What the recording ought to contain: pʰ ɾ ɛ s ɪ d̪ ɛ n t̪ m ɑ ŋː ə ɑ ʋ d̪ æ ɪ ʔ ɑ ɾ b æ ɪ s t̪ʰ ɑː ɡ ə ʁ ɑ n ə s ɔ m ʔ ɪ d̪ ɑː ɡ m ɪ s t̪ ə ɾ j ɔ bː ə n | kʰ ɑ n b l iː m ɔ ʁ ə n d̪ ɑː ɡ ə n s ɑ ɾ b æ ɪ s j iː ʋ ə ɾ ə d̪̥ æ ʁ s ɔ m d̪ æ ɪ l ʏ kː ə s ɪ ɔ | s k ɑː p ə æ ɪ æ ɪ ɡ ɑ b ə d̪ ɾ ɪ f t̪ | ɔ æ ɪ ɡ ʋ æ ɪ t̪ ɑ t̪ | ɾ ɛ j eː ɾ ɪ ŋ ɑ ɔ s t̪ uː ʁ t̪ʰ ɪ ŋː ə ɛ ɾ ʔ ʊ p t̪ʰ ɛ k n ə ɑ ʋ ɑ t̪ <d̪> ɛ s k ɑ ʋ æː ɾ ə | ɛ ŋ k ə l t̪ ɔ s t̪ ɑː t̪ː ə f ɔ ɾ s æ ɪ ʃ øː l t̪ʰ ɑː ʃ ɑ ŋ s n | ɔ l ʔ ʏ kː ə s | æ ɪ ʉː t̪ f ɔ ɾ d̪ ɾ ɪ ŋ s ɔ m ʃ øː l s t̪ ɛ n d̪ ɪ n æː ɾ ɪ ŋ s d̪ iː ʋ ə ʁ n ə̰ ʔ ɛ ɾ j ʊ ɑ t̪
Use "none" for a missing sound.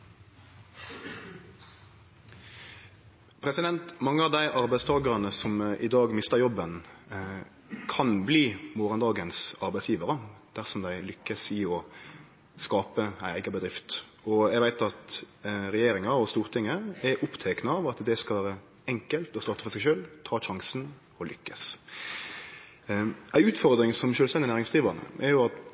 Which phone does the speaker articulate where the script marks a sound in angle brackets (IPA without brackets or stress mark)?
d̪